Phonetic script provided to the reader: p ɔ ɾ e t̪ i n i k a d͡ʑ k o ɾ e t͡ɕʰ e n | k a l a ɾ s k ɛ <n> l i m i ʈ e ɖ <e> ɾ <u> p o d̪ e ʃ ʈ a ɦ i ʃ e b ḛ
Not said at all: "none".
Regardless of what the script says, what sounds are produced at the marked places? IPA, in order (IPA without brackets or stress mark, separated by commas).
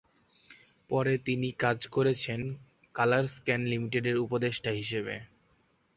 n, e, u